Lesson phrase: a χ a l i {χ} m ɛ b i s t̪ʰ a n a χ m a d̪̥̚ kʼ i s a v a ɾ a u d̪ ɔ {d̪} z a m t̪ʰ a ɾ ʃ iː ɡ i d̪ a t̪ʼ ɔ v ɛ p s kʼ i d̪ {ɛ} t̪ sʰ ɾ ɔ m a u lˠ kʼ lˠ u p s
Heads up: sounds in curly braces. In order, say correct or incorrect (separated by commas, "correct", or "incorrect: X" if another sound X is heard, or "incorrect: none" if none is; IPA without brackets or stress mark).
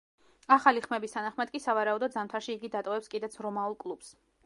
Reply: correct, correct, correct